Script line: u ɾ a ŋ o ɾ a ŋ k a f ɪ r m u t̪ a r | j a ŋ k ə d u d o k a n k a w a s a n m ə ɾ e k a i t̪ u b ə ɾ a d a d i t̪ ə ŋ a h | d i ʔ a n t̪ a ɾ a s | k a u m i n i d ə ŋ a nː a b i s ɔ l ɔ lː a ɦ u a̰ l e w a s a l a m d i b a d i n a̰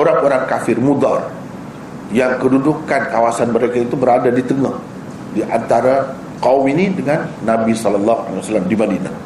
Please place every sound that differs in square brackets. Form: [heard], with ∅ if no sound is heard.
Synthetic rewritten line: [o] ɾ a ŋ o ɾ a ŋ k a f ɪ r m u [d̪] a r | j a ŋ k ə d u d [u] k a n k a w a s a n m ə ɾ e k a i t̪ u b ə ɾ a d a d i t̪ ə ŋ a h | d i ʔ a n t̪ a ɾ a [∅] | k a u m i n i d ə ŋ a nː a b i s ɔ l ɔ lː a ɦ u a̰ l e w a s a l a m d i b a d i n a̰